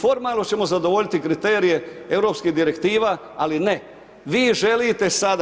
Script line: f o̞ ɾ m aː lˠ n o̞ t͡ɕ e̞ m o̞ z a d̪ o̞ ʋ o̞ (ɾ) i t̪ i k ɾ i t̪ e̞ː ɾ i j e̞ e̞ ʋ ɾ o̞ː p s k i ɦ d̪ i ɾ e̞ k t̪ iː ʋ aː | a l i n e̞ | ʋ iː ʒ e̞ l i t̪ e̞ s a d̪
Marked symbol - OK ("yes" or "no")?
no